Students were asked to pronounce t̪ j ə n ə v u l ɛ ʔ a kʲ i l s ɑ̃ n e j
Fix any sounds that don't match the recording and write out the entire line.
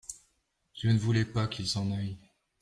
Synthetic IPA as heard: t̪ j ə n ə v u l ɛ p a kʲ i l s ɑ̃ n a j